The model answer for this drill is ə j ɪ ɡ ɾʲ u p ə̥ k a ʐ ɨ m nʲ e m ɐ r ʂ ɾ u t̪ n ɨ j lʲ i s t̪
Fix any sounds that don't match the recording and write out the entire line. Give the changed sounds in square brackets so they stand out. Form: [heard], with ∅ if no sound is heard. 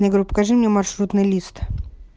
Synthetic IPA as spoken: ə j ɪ ɡ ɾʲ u p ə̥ k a ʐ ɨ m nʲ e m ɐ r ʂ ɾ u t̪ n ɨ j lʲ i s t̪